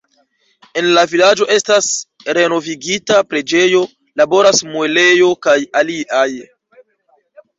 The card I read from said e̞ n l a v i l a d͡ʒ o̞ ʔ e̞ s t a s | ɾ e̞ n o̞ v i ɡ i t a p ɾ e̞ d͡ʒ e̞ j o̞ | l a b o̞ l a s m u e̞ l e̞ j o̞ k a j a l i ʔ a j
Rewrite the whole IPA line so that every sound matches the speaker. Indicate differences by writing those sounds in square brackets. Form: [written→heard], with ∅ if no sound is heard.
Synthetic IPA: e̞ n l a v i l a d͡ʒ o̞ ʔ e̞ s t a s | ɾ e̞ n o̞ v i ɡ i t a p ɾ e̞ d͡ʒ e̞ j o̞ | l a b o̞ [l→ɾ] a s m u e̞ l e̞ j o̞ k a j a l i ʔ a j

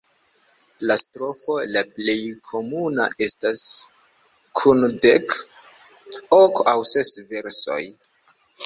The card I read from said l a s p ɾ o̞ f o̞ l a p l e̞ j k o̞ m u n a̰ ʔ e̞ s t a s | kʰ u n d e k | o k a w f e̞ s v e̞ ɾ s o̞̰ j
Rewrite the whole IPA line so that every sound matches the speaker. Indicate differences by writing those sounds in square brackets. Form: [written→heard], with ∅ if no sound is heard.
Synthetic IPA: l a s [p→t] ɾ o̞ f o̞ l a p l e̞ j [k→kʰ] o̞ m u n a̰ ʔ e̞ s t a s | kʰ u n d e k | o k a w [f→s] e̞ s v e̞ ɾ s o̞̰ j

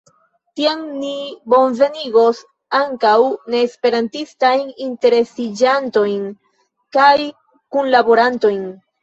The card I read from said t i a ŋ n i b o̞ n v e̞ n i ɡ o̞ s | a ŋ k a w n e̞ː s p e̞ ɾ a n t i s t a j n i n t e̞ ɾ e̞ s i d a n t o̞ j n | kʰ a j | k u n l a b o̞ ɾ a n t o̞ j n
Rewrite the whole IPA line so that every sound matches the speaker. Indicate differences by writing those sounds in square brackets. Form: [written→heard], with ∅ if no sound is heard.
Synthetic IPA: t i a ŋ n i b o̞ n v e̞ n i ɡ o̞ s | a ŋ k a w n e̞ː s p e̞ ɾ a n t i s t a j n i n t e̞ ɾ e̞ s i [d→d͡ʒ] a n t o̞ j n | [kʰ→k] a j | k u n l a b o̞ ɾ a n t o̞ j n

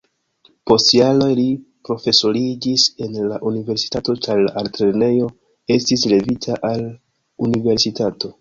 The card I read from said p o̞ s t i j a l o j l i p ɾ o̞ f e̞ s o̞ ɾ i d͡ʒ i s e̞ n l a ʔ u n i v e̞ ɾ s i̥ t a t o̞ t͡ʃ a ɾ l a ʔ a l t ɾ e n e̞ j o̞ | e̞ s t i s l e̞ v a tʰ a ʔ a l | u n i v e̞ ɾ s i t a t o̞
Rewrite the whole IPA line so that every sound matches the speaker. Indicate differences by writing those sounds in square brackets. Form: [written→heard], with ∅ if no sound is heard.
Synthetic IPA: p o̞ s t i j a l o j l i p ɾ o̞ f e̞ s o̞ ɾ i d͡ʒ i s e̞ n l a ʔ u n i v e̞ ɾ s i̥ t a t o̞ t͡ʃ a ɾ l a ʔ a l t ɾ e n e̞ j o̞ | e̞ s t i s l e̞ v [a→i] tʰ a ʔ a l | u n i v e̞ ɾ s i t a t o̞

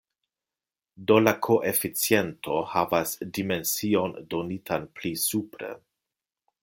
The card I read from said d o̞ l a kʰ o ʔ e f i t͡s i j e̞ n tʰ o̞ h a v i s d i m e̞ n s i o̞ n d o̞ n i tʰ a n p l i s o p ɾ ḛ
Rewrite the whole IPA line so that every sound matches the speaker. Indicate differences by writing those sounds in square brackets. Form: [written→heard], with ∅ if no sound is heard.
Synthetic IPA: d o̞ l a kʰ o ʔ e f i t͡s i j e̞ n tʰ o̞ h a v [i→a] s d i m e̞ n s i o̞ n d o̞ n i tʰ a n p l i s [o→u] p ɾ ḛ

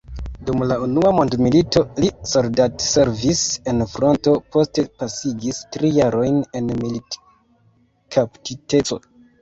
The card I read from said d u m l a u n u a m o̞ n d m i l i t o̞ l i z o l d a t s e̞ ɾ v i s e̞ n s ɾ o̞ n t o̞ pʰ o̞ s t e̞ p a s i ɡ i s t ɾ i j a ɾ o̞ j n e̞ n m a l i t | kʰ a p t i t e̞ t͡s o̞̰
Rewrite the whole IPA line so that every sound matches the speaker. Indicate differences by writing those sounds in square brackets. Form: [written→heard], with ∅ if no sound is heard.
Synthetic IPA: d u m l a u n u a m o̞ n d m i l i t o̞ l i [z→s] o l d a t s e̞ ɾ v i s e̞ n [s→f] ɾ o̞ n t o̞ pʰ o̞ s t e̞ p a s i ɡ i s t ɾ i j a ɾ o̞ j n e̞ n m [a→i] l i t | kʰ a p t i t e̞ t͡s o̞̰

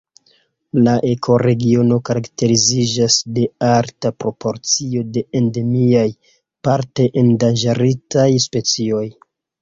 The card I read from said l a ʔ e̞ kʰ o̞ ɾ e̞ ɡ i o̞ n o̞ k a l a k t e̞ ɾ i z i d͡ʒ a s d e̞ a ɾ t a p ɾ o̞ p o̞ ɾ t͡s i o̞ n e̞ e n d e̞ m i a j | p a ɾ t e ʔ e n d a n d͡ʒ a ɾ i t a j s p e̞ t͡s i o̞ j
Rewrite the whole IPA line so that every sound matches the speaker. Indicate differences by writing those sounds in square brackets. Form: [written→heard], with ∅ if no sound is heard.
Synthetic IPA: l a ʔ e̞ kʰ o̞ ɾ e̞ ɡ i o̞ n o̞ k a [l→ɾ] a k t e̞ ɾ i z i d͡ʒ a s d e̞ a ɾ t a p ɾ o̞ p o̞ ɾ t͡s i o̞ [n→d] e̞ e n d e̞ m i a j | p a ɾ t e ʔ e n d a n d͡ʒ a ɾ i t a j s p e̞ t͡s i o̞ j

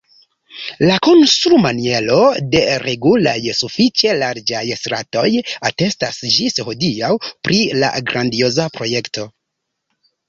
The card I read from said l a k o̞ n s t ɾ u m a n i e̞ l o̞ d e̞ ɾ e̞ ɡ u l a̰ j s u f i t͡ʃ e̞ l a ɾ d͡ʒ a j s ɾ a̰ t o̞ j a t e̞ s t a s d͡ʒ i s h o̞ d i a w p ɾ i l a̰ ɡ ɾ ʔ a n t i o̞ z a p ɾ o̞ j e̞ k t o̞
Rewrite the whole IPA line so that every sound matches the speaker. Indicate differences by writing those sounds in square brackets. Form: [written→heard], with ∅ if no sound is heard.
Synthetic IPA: l a k o̞ n s t ɾ u m a n i e̞ l o̞ d e̞ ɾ e̞ ɡ u l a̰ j s u f i t͡ʃ e̞ l a ɾ d͡ʒ a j s ɾ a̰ t o̞ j a t e̞ s t a s d͡ʒ i s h o̞ d i a w p ɾ i l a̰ ɡ ɾ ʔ a n [t→d] i o̞ z a p ɾ o̞ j e̞ k t o̞

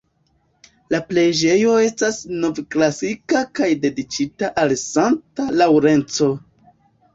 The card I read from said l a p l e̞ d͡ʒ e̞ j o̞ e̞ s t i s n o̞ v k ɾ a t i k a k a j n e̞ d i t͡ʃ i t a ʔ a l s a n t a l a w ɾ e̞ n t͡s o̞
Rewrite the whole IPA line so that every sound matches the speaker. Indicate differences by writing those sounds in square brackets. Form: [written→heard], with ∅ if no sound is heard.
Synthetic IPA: l a p l e̞ d͡ʒ e̞ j o̞ e̞ s t [i→a] s n o̞ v k [ɾ→l] a [t→s] i k a k a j [n→d] e̞ d i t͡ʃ i t a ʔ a l s a n t a l a w ɾ e̞ n t͡s o̞

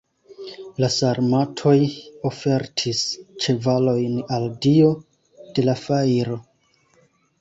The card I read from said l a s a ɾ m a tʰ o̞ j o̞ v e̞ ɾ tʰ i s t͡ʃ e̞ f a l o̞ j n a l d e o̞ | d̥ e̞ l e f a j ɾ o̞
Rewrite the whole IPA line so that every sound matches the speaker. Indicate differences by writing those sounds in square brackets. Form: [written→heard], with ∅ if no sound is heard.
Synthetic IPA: l a s a ɾ m a tʰ o̞ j o̞ [v→f] e̞ ɾ tʰ i s t͡ʃ e̞ [f→v] a l o̞ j n a l d [e→i] o̞ | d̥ e̞ l [e→a] f a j ɾ o̞

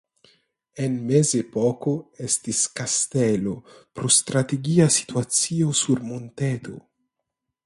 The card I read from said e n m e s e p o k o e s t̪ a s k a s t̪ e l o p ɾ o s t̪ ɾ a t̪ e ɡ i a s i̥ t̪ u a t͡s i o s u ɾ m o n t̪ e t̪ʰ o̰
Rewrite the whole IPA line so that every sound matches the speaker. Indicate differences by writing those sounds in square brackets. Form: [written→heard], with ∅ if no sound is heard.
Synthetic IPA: e n m e [s→z] e p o k o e s t̪ [a→i] s k a s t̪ e l o p ɾ o s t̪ ɾ a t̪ e ɡ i a s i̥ t̪ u a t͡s i o s u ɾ m o n t̪ e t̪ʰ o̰

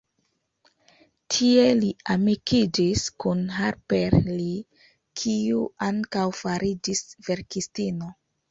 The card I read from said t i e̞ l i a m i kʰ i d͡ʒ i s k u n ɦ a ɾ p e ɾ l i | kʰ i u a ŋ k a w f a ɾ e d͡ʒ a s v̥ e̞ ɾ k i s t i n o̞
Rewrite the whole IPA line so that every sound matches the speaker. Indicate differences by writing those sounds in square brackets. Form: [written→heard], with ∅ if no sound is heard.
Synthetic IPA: [t→tʰ] i e̞ l i a m i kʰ i d͡ʒ i s k u n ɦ a ɾ p e ɾ l i | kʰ i u a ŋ k a w f a ɾ [e→i] d͡ʒ [a→i] s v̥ e̞ ɾ k i s t i n o̞

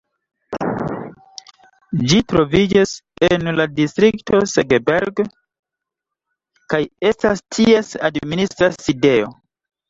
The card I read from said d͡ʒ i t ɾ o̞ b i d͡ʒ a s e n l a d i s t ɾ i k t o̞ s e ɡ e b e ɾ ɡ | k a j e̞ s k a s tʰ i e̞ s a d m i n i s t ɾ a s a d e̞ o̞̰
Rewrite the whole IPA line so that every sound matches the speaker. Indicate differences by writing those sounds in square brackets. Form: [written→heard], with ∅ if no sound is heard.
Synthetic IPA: d͡ʒ i t ɾ o̞ [b→v] i d͡ʒ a s e n l a d i s t ɾ i k t o̞ s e ɡ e b e ɾ ɡ | k a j e̞ s [k→t] a s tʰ i e̞ s a d m i n i s t ɾ a s [a→i] d e̞ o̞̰

